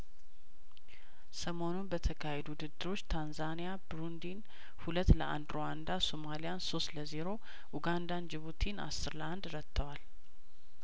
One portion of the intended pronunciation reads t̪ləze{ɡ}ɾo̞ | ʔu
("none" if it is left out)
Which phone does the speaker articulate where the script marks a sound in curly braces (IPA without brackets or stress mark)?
none